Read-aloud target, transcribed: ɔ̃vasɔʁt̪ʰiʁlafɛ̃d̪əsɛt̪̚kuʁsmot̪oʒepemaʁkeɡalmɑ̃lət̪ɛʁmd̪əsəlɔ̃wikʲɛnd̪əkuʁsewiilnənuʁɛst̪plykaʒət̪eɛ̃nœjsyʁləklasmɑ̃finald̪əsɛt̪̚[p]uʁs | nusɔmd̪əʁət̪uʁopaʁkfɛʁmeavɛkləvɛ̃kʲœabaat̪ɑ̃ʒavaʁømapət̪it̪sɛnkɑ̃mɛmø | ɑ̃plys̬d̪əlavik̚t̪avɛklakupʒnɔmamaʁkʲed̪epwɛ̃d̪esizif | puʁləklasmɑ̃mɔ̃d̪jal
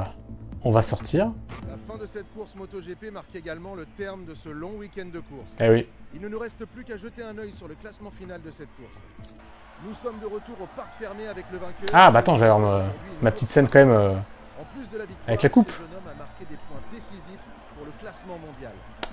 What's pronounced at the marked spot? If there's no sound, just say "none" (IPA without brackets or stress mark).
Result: k